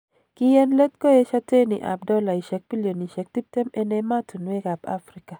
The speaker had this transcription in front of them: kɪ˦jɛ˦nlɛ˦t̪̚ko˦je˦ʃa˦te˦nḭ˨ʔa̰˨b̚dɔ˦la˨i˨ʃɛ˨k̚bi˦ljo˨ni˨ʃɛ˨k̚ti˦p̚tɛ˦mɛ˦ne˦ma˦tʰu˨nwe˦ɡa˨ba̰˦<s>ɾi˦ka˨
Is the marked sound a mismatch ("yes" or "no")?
yes